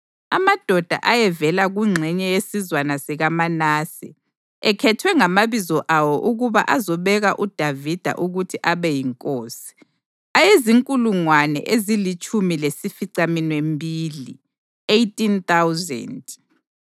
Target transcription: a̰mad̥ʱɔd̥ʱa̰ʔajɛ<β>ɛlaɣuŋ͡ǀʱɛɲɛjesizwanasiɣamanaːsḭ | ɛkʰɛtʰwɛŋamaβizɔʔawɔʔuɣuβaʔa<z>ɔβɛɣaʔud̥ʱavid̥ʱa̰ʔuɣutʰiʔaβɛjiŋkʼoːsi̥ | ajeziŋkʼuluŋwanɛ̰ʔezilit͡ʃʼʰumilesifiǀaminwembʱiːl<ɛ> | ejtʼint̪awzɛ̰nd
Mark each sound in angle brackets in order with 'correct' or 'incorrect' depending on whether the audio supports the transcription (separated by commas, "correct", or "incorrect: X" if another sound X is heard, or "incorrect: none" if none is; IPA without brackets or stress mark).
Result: incorrect: v, correct, incorrect: i